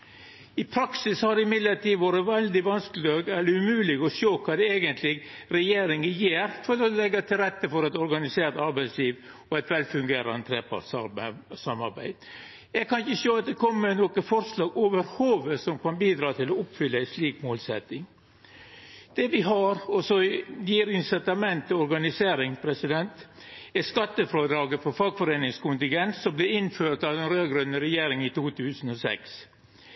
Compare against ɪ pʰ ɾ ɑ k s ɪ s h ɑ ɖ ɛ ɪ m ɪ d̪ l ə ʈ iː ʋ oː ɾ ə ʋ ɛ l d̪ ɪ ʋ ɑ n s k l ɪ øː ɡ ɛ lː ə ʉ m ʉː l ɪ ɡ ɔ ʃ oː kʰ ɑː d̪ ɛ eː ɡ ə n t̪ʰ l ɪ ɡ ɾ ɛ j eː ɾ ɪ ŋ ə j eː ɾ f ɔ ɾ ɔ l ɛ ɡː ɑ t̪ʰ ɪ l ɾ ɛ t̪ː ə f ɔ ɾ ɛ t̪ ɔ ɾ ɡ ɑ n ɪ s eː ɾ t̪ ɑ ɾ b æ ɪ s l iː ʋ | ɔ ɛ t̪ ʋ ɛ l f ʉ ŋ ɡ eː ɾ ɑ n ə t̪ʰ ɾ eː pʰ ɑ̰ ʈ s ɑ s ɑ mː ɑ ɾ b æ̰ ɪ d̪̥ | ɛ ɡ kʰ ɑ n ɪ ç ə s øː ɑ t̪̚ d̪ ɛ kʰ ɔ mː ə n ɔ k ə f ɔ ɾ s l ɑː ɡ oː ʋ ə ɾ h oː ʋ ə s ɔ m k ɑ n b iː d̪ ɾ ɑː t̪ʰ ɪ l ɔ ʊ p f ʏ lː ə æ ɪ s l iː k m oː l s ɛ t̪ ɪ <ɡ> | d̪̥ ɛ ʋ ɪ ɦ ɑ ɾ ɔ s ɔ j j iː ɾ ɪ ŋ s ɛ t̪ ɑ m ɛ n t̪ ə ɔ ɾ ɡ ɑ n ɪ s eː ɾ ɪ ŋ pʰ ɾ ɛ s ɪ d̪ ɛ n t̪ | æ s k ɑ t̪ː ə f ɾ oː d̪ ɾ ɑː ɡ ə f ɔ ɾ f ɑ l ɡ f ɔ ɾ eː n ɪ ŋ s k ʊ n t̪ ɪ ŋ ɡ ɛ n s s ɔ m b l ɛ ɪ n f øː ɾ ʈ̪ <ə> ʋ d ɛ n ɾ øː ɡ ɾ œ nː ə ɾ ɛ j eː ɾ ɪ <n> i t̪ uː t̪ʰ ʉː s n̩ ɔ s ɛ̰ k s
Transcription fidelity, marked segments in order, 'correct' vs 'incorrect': incorrect: ŋ, incorrect: ɑ, incorrect: ŋ

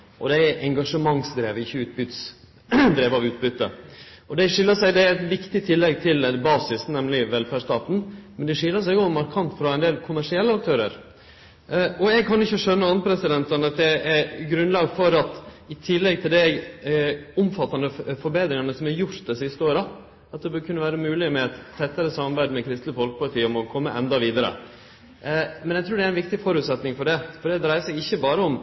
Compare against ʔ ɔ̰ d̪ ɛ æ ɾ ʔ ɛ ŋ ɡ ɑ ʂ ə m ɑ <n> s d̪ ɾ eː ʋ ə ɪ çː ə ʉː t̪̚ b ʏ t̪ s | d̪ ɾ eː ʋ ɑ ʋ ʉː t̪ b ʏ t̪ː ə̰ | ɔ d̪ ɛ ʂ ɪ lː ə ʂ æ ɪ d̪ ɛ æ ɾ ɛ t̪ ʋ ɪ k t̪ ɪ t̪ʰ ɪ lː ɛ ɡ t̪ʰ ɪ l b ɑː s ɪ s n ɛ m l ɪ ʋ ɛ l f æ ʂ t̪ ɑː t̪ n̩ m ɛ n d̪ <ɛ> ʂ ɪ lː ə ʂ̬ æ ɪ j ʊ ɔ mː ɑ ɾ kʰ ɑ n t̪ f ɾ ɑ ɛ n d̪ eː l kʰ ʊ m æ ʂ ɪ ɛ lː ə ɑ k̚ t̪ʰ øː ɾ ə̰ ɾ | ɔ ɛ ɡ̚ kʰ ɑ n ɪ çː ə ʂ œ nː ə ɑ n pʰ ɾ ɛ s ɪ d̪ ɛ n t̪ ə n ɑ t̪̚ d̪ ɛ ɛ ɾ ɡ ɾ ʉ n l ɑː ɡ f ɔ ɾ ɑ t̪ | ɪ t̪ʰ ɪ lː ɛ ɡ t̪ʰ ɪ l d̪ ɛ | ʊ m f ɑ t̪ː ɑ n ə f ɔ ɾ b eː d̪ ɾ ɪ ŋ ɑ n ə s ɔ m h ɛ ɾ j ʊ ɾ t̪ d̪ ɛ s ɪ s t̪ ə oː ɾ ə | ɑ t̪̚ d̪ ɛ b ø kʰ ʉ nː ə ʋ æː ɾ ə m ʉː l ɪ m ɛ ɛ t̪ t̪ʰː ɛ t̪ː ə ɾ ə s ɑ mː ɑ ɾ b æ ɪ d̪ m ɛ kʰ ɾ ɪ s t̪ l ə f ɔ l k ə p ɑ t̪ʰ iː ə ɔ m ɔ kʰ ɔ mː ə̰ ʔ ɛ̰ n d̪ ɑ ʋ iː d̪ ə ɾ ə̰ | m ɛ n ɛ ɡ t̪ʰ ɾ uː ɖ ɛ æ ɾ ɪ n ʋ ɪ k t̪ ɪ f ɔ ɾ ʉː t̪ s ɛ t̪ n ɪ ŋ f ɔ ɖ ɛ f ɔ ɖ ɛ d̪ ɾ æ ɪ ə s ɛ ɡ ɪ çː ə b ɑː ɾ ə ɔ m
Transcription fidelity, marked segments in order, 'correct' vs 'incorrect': incorrect: ŋ, correct

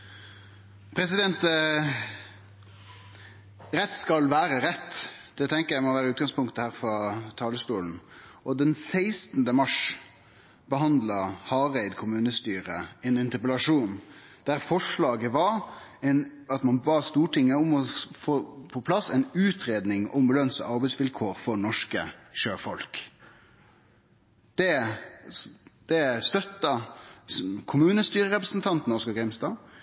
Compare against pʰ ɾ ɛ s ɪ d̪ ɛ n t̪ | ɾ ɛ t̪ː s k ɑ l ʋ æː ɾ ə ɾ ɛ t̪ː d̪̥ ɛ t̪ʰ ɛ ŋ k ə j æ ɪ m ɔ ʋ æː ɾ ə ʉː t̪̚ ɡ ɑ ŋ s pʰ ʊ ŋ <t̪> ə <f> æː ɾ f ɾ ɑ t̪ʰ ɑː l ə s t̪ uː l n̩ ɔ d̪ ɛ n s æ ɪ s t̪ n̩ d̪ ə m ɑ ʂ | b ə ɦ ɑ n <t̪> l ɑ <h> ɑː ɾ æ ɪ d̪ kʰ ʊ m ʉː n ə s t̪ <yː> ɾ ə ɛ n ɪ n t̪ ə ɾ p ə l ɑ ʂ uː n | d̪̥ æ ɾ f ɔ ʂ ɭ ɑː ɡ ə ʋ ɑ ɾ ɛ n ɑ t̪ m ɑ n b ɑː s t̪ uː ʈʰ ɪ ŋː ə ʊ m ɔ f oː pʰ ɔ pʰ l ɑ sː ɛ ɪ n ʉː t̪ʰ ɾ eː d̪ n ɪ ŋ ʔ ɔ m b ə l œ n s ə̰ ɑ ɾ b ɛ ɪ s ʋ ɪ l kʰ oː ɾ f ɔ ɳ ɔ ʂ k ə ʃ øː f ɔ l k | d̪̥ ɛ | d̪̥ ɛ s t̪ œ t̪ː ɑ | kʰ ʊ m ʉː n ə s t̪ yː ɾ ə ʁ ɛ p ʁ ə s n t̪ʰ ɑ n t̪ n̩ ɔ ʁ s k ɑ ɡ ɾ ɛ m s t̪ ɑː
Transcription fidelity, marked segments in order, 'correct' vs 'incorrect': correct, incorrect: h, incorrect: d̪, correct, correct

